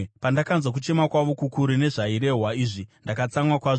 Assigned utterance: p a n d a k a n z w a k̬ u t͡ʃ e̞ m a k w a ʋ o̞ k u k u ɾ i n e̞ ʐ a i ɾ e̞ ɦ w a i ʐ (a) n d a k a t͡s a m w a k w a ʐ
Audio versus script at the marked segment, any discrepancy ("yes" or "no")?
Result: yes